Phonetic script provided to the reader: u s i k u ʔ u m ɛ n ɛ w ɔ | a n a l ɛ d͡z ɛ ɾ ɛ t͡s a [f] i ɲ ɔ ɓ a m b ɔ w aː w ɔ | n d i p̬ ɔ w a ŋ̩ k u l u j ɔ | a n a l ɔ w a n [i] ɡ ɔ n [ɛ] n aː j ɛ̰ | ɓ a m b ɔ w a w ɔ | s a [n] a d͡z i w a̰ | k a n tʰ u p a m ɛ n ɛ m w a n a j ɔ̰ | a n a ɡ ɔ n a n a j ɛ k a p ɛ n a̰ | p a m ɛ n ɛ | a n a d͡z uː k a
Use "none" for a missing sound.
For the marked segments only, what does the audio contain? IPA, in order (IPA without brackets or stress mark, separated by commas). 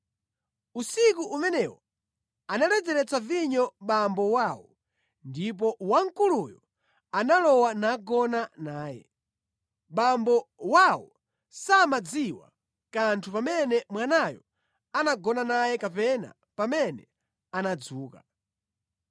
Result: v, a, a, m